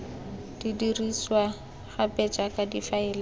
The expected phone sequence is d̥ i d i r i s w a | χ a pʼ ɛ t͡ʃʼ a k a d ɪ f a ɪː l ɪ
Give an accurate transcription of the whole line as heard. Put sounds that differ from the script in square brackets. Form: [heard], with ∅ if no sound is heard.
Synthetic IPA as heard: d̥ i d i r i s w a | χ a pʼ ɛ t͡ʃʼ a k a d [i] f a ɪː l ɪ